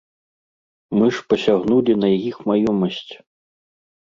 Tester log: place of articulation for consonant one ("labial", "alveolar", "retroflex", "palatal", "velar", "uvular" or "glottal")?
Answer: labial